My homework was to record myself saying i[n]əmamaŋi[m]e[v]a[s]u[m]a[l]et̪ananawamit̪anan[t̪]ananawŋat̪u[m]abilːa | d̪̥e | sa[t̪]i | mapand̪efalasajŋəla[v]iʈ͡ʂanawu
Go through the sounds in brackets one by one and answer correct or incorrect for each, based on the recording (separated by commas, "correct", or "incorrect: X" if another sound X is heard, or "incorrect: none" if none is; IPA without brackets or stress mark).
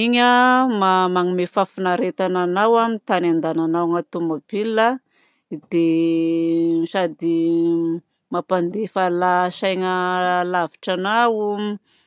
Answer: incorrect: ɲ, correct, incorrect: f, incorrect: f, incorrect: n, incorrect: ɾ, incorrect: d̪, correct, incorrect: d̪, correct